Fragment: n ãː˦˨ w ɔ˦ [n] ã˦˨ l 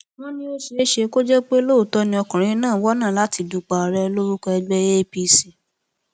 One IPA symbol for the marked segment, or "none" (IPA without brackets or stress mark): n